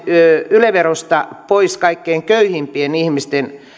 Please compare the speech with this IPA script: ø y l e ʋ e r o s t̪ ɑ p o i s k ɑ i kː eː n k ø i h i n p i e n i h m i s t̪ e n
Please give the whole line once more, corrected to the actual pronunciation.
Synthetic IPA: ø y l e ʋ e r o s t̪ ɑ p o i s k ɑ i kː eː ŋ k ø y h i m p i e n i h m i s t̪ e n

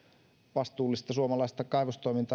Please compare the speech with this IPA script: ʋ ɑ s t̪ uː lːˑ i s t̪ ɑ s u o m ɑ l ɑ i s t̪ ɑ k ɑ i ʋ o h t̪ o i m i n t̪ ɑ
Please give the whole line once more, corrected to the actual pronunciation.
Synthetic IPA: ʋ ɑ s t̪ uː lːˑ i s t̪ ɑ s u o m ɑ l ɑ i s t̪ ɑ k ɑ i ʋ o s t̪ o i m i n t̪ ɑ

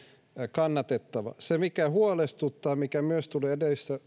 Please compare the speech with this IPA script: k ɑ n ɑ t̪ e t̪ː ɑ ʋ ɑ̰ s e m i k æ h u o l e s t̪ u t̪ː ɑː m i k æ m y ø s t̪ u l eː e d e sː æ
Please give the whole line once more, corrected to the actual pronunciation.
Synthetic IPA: k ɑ nː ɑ t̪ e t̪ː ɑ ʋ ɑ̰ s e m i k æ h u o l e s t̪ u t̪ː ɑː m i k æ m y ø s t̪ u l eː e d e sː æ

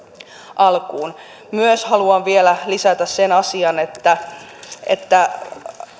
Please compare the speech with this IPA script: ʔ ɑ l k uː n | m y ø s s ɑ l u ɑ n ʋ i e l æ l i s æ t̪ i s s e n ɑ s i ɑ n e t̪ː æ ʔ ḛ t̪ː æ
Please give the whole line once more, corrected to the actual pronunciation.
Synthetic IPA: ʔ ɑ l k uː n | m y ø s h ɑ l u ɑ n ʋ i e l æ l i s æ t̪ æ s s e n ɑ s i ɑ n e t̪ː æ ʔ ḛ t̪ː æ

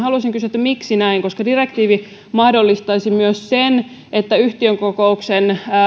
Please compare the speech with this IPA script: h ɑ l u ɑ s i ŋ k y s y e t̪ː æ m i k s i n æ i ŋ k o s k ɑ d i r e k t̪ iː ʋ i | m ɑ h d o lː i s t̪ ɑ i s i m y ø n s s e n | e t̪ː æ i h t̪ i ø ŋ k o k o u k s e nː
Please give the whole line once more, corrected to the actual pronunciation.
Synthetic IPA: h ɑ l u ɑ s i ŋ k y s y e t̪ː æ m i k s i n æ i ŋ k o s k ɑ d i r e k t̪ iː ʋ i | m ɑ h d o lː i s t̪ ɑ i s i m y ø s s e n | e t̪ː æ y h t̪ i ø ŋ k o k o u k s e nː

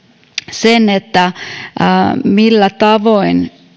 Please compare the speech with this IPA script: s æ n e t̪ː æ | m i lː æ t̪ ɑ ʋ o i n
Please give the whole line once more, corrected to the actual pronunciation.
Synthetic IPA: s e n e t̪ː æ | m i lː æ t̪ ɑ ʋ o i n

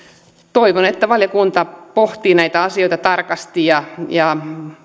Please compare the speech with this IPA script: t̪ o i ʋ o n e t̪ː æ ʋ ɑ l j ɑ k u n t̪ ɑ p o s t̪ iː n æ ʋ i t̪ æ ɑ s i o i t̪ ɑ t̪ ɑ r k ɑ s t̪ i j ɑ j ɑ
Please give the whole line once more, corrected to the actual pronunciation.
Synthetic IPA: t̪ o i ʋ o n e t̪ː æ ʋ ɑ l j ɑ k u n t̪ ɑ p o h t̪ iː n æ i t̪ æ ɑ s i o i t̪ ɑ t̪ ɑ r k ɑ s t̪ i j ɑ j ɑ

